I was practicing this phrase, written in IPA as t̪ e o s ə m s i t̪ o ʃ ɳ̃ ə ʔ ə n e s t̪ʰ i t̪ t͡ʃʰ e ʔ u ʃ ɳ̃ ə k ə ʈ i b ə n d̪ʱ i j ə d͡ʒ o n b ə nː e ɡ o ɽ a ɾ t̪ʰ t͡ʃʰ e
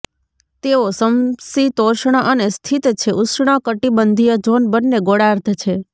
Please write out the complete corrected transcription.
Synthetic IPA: t̪ e o s ə m s i t̪ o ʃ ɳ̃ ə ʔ ə n e s t̪ʰ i t̪ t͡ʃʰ e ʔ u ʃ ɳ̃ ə k ə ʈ i b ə n d̪ʱ i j ə d͡ʒ o n b ə nː e ɡ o ɽ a ɾ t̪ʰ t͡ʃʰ e

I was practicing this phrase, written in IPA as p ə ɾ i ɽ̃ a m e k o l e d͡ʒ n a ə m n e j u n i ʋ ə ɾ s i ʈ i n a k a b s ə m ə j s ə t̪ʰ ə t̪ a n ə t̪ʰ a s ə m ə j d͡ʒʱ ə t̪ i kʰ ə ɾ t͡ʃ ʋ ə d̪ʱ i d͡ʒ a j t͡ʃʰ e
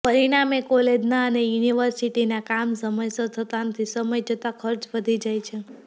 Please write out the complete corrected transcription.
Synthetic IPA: p ə ɾ i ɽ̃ a m e k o l e d͡ʒ n a ə n e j u n i ʋ ə ɾ s i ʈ i n a k a m s ə m ə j s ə t̪ʰ ə t̪ a n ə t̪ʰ i s ə m ə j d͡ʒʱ ə t̪ a kʰ ə ɾ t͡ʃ ʋ ə d̪ʱ i d͡ʒ a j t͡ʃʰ e

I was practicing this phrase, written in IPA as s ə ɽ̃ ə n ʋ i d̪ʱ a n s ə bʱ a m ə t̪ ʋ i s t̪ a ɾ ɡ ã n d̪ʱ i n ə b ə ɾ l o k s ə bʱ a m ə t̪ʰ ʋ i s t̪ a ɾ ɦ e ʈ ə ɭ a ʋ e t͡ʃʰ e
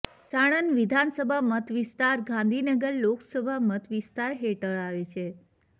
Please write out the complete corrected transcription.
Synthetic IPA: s a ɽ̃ ə n ʋ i d̪ʱ a n s ə bʱ a m ə t̪ ʋ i s t̪ a ɾ ɡ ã n d̪ʱ i n ə ɡ ə ɾ l o k s ə bʱ a m ə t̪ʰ ʋ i s t̪ a ɾ ɦ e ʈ ə ɭ a ʋ e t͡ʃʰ e

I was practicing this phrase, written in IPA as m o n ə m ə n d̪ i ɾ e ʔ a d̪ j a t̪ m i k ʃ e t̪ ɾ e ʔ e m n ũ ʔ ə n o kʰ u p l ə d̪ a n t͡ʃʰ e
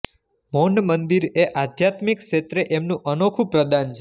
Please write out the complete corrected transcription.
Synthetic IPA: m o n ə m ə n d̪ i ɾ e ʔ a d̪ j a t̪ m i k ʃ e t̪ ɾ e ʔ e m n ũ ʔ ə n o kʰ u p ɾ ə d̪ a n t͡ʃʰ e

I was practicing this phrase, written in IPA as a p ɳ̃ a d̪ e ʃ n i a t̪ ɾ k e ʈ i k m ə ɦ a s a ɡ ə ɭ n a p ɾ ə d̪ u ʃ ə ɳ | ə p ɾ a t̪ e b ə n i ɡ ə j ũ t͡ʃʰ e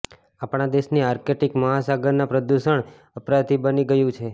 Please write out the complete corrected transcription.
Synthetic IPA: a p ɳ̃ a d̪ e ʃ n i a ɾ k e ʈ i k m ə ɦ a s a ɡ ə ɾ n a p ɾ ə d̪ u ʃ ə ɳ | ə p ɾ a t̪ i b ə n i ɡ ə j ũ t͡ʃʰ e

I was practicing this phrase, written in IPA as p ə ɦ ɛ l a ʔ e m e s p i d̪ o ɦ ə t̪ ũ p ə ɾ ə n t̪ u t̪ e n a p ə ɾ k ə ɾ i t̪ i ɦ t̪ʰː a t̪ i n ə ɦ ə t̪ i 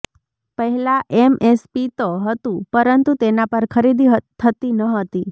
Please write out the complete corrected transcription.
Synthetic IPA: p ə ɦ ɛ l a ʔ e m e s p i t̪ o ɦ ə t̪ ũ p ə ɾ ə n t̪ u t̪ e n a p ə ɾ kʰ ə ɾ i d̪ i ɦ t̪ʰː ə t̪ i n ə ɦ ə t̪ i

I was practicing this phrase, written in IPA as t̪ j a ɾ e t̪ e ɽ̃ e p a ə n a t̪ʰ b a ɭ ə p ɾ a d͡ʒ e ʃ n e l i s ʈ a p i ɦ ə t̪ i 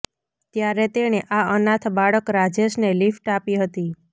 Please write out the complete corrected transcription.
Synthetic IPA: t̪ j a ɾ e t̪ e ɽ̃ e ʔ a ə n a t̪ʰ b a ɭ ə k ɾ a d͡ʒ e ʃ n e l i f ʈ a p i ɦ ə t̪ i

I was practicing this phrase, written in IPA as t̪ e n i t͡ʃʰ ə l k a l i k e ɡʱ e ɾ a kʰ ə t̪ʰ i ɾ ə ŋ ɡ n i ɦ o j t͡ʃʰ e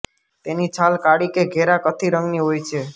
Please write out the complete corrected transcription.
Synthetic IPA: t̪ e n i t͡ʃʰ a l k a ɽ i k e ɡʱ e ɾ a k ə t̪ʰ i ɾ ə ŋ ɡ n i ɦ o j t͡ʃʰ e

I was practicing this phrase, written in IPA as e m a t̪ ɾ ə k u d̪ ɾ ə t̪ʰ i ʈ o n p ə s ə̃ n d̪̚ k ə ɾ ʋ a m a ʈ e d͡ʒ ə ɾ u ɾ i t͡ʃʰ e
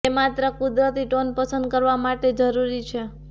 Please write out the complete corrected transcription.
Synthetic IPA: e m a t̪ ɾ ə k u d̪ ɾ ə t̪ i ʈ o n p ə s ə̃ n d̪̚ k ə ɾ ʋ a m a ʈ e d͡ʒ ə ɾ u ɾ i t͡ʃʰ e

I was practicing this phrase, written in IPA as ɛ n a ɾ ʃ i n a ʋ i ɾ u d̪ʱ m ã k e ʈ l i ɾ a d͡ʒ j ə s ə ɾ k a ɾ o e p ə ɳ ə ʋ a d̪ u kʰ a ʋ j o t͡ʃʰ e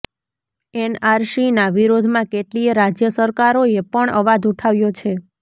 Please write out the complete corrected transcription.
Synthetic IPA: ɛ n a ɾ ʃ i n a ʋ i ɾ o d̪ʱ m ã k e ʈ l i ɾ a d͡ʒ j ə s ə ɾ k a ɾ o e p ə ɳ ə ʋ a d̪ u ʈʰ a ʋ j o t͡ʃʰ e

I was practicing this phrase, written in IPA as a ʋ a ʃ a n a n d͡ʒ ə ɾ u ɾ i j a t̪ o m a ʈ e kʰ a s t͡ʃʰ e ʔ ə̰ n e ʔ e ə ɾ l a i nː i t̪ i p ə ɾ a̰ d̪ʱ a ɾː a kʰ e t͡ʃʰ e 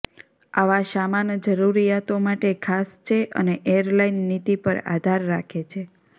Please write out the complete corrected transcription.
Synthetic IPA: a ʋ a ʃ a m a n d͡ʒ ə ɾ u ɾ i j a t̪ o m a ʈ e kʰ a s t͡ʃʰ e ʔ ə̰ n e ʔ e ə ɾ l a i nː i t̪ i p ə ɾ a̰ d̪ʱ a ɾː a kʰ e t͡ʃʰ e

